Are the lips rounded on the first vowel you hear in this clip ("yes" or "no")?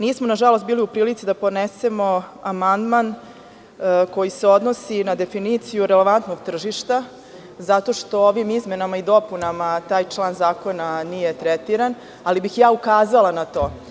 no